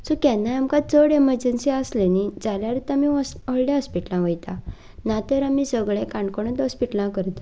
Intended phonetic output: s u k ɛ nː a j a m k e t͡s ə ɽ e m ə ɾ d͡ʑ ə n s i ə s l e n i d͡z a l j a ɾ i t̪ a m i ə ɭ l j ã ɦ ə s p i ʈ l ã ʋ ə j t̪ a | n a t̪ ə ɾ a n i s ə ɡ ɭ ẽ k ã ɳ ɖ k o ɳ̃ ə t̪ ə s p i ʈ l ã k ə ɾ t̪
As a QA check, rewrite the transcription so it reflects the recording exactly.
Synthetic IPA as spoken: s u k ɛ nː a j a m k a t͡s ə ɽ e m ə ɾ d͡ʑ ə n s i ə s l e n i d͡z a l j a ɾ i t̪ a m i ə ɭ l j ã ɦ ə s p i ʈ l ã ʋ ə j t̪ a | n a t̪ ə ɾ a m i s ə ɡ ɭ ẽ k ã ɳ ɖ k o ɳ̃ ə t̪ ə s p i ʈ l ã k ə ɾ t̪